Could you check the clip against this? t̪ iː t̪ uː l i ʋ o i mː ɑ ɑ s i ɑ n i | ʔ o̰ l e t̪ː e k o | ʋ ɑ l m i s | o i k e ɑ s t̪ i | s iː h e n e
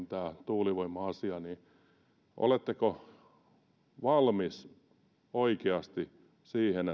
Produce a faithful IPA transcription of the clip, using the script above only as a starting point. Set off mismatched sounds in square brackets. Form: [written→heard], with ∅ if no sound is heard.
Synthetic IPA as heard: t̪ [iː→æː] t̪ uː l i ʋ o i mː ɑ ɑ s i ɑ n i | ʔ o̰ l e t̪ː e k o | ʋ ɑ l m i s | o i k e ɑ s t̪ i | s iː h e n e